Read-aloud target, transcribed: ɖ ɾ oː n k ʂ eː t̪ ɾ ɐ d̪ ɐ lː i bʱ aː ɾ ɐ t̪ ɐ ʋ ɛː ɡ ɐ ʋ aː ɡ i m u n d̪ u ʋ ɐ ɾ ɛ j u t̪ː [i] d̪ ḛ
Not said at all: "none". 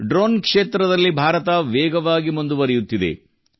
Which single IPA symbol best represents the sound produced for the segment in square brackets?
i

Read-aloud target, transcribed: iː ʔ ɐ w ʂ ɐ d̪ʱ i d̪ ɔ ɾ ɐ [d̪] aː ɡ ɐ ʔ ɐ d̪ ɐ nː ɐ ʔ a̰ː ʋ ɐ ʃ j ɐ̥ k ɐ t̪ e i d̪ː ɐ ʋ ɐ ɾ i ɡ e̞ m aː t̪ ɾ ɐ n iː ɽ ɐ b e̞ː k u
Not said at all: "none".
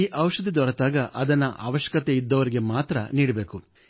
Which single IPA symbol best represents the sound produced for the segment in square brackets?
t̪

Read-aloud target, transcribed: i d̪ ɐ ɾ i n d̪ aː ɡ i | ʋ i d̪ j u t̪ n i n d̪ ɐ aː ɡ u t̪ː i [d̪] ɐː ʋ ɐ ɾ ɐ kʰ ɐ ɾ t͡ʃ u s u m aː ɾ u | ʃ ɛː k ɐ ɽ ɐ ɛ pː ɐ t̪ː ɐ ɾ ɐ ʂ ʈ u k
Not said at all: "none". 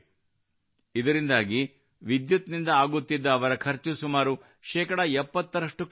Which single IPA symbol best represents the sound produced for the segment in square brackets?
d̪ː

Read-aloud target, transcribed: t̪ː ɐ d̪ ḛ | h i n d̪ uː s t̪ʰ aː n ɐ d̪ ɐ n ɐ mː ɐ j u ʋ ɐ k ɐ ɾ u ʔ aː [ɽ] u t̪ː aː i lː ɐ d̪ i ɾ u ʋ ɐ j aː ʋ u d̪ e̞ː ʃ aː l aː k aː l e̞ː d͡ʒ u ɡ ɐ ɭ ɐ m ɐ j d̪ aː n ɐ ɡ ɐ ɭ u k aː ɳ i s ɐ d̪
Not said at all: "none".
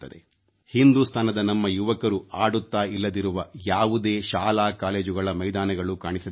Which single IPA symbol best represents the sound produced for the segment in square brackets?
ɽ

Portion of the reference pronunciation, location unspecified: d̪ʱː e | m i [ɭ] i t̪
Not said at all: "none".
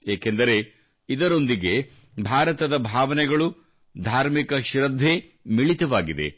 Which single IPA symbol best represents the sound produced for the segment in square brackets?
ɭ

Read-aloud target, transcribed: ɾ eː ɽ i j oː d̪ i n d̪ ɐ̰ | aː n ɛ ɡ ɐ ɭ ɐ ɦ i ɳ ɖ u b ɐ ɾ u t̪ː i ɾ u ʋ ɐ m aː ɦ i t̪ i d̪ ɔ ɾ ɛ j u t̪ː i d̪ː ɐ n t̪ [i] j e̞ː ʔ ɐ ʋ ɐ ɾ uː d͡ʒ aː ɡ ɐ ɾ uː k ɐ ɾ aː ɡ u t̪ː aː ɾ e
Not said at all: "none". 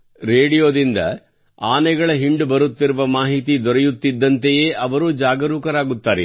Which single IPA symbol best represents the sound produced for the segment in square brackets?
e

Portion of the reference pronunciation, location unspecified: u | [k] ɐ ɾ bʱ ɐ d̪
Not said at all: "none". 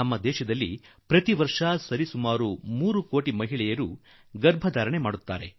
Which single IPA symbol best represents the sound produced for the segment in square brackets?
ɡ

